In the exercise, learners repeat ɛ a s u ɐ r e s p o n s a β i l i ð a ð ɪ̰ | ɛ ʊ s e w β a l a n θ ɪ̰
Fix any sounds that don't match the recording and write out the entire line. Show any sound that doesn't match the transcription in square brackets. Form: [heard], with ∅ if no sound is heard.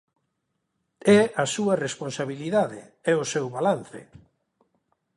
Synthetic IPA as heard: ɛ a s u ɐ r e s p o n s a β i l i ð a ð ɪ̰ | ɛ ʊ s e w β a l a n θ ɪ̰